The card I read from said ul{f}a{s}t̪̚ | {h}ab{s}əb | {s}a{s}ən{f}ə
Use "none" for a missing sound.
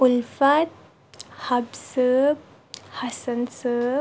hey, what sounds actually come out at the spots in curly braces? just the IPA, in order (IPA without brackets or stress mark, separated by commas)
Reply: f, none, h, s, h, s, s